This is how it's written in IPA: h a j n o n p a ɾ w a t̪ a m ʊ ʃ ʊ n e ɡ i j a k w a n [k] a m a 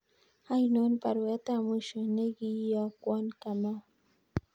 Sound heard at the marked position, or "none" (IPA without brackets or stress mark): k